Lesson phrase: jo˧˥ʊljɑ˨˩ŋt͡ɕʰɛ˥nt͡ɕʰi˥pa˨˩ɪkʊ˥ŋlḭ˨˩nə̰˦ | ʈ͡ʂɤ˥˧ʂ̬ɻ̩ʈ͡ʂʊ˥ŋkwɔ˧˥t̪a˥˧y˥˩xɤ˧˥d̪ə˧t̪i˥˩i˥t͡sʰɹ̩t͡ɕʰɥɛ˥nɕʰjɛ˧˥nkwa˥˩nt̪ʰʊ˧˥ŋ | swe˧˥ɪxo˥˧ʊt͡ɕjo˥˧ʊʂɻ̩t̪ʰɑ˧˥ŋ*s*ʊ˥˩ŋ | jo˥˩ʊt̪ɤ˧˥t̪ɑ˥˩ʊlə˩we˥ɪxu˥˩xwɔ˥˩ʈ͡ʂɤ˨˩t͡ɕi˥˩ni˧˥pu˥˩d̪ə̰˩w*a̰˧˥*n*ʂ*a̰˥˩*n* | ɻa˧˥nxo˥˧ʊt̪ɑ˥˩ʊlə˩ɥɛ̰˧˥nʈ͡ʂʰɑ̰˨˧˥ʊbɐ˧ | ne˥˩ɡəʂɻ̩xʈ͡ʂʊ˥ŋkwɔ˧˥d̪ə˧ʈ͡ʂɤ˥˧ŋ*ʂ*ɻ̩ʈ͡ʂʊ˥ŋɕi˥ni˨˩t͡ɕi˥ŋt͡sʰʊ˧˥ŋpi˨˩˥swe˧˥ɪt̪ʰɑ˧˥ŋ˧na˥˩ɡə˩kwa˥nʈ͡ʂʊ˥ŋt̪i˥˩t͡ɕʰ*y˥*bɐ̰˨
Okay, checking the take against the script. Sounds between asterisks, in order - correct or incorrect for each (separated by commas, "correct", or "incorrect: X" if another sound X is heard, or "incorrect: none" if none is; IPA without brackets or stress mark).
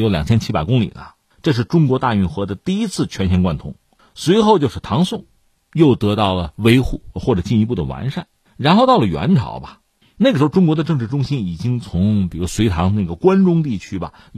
correct, correct, correct, correct, incorrect: ʈ͡ʂ, correct